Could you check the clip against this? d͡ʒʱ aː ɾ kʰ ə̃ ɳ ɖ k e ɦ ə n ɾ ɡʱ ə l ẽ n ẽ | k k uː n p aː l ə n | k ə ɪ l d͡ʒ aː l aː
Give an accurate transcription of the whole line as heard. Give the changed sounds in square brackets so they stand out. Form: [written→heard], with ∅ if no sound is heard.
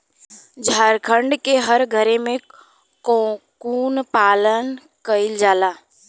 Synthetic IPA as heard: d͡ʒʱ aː ɾ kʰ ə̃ ɳ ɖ k e ɦ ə [n→∅] ɾ ɡʱ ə [l→ɾ] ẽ [n→m] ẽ | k k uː n p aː l ə n | k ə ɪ l d͡ʒ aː l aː